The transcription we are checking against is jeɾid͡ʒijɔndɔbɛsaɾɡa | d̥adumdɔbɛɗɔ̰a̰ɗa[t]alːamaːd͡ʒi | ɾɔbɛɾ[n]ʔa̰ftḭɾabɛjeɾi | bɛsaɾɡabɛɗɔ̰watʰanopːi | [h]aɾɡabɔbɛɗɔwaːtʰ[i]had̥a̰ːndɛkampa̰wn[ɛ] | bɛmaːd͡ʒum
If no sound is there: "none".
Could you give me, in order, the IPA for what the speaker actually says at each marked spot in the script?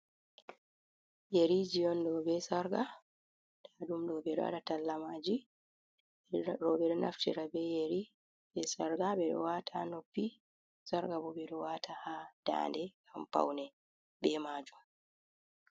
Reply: t, n, s, a, ɛ

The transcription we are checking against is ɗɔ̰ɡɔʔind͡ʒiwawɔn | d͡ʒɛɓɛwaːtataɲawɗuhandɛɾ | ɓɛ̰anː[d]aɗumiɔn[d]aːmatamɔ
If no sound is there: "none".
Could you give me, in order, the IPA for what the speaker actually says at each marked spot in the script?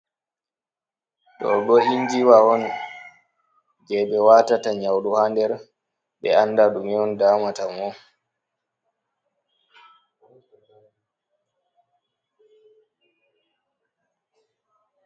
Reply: d, d

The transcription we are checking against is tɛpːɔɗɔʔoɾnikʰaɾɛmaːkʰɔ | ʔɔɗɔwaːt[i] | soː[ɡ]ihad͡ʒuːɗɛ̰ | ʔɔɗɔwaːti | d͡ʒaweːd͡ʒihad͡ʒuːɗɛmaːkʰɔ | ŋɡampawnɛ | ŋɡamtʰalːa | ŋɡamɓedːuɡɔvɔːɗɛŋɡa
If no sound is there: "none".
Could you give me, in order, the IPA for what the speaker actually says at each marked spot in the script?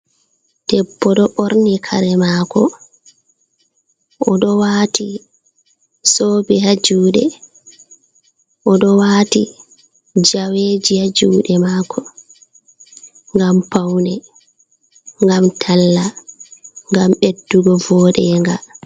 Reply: i, b

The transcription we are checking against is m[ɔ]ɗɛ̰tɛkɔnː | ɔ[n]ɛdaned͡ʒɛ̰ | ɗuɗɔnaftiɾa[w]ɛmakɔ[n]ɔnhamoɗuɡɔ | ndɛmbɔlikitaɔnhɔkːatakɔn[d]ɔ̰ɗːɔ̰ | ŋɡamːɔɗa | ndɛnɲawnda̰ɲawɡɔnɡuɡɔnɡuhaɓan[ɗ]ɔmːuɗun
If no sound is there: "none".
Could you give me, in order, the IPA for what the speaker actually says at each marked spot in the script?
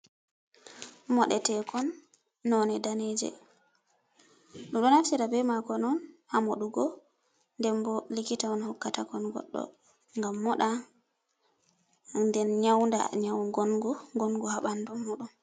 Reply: ɔ, n, b, n, ɡ, d

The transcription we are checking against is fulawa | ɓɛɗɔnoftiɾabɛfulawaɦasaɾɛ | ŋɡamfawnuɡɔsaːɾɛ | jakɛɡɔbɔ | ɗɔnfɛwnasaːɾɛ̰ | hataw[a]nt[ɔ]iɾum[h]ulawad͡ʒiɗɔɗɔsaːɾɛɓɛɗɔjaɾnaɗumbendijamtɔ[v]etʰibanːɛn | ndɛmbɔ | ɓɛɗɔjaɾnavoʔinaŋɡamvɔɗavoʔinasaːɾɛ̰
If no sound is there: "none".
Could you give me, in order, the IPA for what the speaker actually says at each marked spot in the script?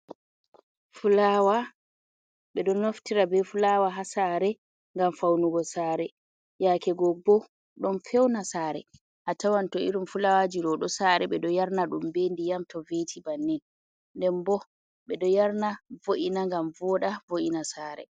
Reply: a, ɔ, f, v

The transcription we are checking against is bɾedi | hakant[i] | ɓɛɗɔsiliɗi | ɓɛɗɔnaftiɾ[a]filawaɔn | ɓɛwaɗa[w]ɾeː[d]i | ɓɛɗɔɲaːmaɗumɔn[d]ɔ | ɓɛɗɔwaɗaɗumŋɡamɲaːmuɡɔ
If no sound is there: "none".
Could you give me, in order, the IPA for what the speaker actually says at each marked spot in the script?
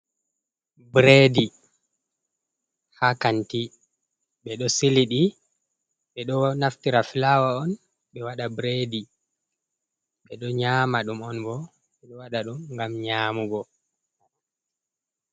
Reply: i, a, b, d, b

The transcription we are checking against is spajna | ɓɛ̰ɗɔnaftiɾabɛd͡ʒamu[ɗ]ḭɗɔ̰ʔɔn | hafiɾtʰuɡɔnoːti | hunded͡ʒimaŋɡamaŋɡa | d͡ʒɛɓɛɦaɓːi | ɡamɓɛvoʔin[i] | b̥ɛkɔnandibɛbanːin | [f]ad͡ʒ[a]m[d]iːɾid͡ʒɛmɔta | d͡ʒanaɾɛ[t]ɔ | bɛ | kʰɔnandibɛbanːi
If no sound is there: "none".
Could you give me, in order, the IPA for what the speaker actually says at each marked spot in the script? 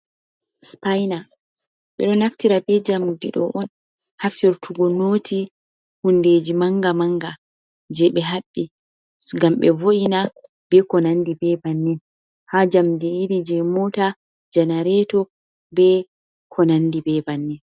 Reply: d, a, h, a, d, t

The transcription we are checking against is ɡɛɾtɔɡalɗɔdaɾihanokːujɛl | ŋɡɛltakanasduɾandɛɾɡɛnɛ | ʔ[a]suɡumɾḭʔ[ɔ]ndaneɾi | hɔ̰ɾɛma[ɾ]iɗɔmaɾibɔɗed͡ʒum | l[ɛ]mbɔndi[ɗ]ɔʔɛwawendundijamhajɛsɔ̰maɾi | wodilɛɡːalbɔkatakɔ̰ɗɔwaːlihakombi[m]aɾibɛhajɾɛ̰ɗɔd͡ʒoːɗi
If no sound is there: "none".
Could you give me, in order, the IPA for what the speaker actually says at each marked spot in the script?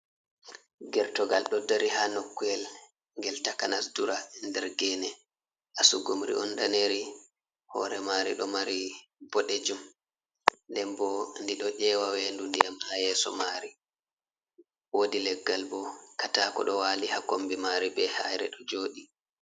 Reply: a, ɔ, ɾ, ɛ, ɗ, m

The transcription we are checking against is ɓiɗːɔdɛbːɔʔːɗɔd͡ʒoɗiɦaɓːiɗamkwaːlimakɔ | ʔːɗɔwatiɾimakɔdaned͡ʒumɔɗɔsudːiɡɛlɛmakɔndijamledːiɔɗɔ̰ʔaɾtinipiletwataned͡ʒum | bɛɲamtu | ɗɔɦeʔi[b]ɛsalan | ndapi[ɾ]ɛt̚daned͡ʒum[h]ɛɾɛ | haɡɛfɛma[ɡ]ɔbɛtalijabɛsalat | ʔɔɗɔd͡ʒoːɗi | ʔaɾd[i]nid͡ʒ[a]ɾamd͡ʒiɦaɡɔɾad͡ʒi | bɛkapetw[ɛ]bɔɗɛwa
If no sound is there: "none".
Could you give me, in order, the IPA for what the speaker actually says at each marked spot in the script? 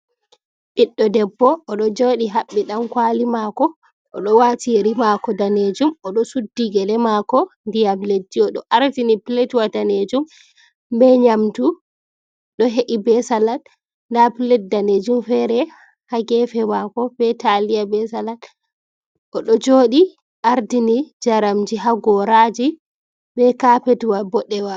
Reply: b, l, f, k, i, a, a

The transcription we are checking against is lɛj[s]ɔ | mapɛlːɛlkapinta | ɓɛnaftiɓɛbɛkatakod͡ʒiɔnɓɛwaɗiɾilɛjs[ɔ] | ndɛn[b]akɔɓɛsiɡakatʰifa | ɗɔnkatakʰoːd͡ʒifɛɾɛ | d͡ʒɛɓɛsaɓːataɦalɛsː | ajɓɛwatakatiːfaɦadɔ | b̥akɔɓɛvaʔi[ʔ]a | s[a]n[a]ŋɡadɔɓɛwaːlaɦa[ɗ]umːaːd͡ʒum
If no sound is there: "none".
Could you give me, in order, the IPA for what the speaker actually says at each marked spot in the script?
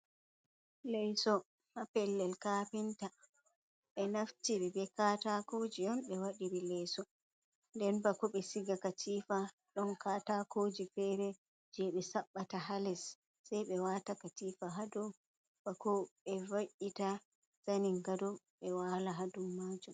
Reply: s, ɔ, b, t, a, i, d

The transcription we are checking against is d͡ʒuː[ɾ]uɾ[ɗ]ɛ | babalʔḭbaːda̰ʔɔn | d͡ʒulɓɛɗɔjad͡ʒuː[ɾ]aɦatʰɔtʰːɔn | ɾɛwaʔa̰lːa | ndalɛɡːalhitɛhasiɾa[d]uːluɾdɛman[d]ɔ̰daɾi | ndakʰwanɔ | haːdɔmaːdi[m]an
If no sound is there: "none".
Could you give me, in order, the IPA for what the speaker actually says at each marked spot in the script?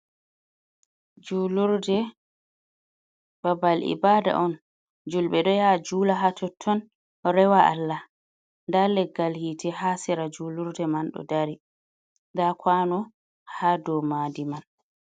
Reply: l, d, l, d͡ʒ, ɗ, m

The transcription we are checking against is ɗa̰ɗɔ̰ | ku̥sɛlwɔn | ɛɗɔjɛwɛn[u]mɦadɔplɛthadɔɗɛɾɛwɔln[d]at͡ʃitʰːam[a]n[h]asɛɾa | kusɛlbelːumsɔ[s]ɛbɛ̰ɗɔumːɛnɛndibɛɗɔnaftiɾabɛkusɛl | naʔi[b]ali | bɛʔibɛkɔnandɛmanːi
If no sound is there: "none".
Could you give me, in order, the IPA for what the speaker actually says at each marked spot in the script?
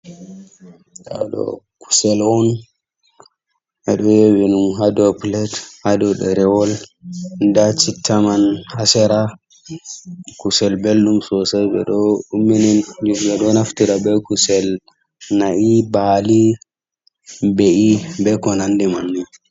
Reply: u, d, a, h, s, b

